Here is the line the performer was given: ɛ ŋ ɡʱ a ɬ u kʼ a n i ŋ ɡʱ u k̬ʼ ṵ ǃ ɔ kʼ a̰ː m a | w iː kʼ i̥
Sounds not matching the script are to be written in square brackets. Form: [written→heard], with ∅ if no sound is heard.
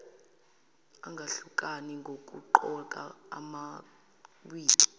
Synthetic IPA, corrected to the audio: [ɛ→a] ŋ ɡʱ a ɬ u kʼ a n i ŋ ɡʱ [u→o] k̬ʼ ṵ ǃ ɔ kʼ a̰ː m a | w iː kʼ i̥